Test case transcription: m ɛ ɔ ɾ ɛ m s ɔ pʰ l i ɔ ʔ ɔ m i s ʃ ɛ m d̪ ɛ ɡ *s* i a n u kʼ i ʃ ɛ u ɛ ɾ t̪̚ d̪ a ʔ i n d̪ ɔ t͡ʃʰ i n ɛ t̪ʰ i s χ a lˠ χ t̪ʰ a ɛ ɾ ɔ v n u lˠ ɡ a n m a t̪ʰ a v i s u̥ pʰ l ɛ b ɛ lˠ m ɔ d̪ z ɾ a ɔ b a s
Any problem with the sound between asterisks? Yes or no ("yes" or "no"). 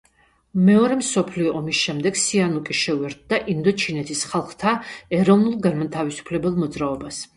no